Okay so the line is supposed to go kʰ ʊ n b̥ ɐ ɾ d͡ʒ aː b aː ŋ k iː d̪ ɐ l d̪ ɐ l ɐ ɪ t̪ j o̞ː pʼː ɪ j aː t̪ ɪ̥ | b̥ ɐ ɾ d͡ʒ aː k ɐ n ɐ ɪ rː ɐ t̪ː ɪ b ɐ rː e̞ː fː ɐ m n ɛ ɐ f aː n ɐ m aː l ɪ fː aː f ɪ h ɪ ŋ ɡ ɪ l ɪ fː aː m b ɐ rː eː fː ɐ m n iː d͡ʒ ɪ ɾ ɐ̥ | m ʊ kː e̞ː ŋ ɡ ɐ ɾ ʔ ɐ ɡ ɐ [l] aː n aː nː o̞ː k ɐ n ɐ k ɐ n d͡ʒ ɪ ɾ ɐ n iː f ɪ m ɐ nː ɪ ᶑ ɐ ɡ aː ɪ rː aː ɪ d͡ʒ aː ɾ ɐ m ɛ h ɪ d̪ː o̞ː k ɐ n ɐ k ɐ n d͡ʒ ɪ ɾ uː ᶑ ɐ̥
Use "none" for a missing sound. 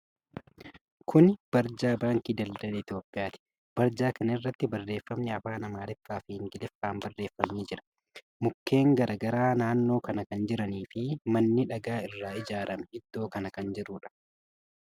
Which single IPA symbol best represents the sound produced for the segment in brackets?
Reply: ɾ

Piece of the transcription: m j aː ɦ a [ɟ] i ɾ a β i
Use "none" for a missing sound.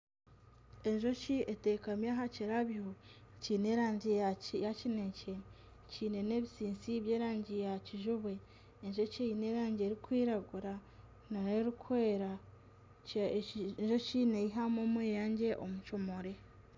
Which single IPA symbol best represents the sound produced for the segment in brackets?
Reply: c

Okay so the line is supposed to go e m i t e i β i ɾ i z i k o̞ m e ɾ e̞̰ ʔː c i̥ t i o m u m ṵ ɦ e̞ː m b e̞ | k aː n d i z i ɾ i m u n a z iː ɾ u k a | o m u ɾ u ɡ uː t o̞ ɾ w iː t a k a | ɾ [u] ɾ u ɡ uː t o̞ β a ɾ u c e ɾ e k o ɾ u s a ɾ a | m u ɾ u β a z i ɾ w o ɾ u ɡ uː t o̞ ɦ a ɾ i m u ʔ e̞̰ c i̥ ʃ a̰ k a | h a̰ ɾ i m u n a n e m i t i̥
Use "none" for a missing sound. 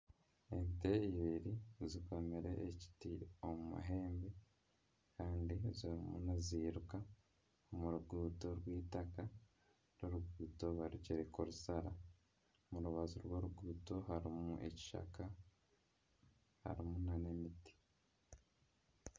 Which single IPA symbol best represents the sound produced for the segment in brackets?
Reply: o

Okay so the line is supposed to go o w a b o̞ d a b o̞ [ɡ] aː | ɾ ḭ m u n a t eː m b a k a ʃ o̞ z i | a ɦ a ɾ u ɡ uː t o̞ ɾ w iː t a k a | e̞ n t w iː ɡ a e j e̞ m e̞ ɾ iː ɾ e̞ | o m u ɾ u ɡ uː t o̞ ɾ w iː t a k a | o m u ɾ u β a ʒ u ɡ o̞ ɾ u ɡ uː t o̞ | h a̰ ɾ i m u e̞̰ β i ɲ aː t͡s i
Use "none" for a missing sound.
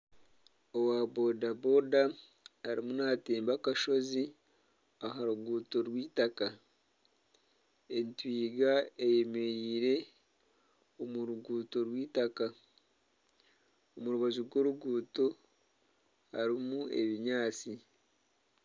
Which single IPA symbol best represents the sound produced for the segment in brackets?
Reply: d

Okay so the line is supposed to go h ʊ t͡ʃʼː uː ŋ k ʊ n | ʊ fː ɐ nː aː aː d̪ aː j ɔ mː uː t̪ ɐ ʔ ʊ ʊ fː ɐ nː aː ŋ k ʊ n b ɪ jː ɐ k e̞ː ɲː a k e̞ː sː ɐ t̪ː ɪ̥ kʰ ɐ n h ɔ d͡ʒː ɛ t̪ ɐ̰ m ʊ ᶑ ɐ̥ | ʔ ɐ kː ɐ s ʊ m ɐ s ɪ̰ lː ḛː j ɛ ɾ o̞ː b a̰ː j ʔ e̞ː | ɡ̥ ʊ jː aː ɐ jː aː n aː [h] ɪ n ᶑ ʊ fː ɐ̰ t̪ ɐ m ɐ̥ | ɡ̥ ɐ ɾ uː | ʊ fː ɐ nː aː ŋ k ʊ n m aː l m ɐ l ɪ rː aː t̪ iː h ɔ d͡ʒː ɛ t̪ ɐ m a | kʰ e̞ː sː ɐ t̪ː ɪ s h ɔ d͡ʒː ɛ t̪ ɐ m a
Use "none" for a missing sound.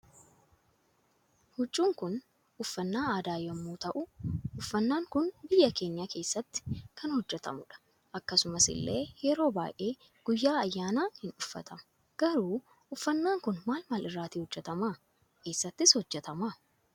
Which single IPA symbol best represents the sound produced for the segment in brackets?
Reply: h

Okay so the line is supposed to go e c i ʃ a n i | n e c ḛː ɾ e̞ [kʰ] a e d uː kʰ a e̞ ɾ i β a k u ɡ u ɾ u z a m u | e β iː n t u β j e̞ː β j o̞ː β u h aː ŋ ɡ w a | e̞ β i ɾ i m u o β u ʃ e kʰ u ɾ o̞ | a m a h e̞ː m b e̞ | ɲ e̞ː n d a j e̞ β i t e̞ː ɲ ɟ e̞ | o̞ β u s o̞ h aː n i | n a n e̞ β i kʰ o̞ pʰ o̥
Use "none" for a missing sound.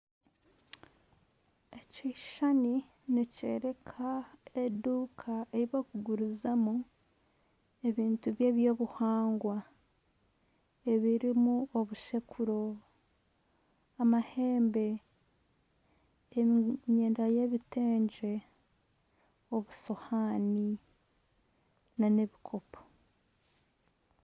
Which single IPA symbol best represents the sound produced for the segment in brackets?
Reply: kʰ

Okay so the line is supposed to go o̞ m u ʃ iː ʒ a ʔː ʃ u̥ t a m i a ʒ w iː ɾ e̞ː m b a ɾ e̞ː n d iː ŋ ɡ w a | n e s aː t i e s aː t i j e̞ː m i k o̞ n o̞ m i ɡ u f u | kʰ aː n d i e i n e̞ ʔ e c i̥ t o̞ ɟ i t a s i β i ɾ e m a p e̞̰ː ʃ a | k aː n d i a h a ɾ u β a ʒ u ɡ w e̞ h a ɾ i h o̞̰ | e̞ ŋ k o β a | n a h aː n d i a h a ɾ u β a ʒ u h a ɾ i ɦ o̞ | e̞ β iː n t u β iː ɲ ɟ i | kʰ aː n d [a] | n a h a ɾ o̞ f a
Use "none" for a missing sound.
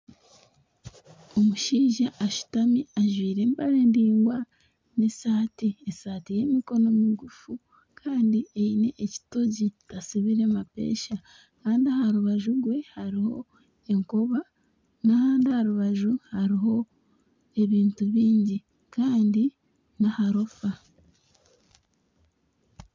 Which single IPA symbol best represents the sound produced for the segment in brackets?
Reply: i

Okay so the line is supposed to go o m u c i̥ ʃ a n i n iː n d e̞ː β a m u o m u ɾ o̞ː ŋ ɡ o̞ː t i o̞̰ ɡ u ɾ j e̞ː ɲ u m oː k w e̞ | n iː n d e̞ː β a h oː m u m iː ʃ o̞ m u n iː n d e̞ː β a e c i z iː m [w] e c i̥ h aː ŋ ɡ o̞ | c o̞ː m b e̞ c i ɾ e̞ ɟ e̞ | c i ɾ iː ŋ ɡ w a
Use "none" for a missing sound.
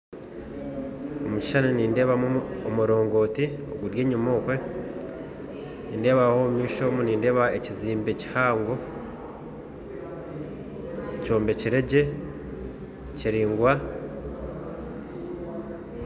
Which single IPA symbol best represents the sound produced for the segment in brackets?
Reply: b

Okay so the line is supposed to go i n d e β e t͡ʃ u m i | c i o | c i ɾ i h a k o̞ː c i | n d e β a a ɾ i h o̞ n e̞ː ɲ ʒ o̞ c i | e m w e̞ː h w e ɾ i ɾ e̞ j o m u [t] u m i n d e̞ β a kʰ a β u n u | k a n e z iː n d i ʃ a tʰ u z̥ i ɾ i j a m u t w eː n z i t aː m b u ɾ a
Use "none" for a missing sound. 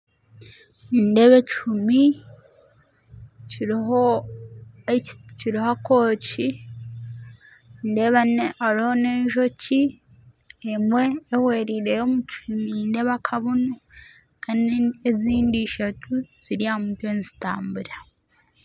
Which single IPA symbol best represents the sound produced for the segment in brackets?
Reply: t͡ʃ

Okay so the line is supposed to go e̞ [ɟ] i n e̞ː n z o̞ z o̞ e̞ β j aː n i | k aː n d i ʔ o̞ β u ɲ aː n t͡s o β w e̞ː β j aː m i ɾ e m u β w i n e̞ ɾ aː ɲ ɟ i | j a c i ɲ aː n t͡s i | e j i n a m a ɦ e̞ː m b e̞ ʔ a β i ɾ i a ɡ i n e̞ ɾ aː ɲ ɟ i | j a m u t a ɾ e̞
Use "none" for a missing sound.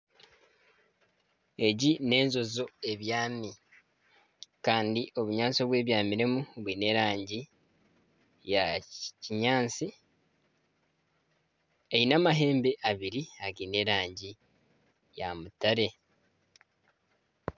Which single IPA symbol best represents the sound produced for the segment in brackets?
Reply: ɟ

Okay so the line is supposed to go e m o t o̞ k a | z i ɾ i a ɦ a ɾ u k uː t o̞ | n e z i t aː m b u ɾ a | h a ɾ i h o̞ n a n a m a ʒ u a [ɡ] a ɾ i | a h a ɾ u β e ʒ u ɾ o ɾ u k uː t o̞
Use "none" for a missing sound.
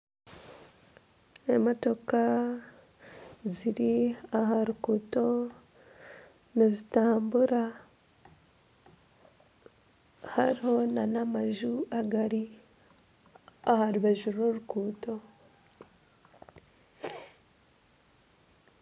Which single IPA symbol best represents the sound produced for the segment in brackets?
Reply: ɡ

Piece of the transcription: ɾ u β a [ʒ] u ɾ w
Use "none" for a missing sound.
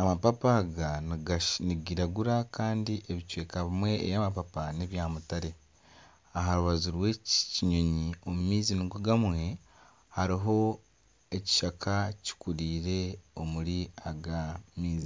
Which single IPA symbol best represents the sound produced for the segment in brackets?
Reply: z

